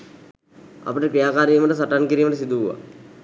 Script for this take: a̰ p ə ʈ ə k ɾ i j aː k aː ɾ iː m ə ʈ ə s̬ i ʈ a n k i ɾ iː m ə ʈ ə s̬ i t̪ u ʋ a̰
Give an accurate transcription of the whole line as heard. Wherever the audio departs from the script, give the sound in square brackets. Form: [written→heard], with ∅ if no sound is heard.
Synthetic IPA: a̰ p ə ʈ ə k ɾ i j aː k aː ɾ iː m ə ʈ ə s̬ [i→a] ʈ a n k i ɾ iː m ə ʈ ə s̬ i [t̪→d̪] u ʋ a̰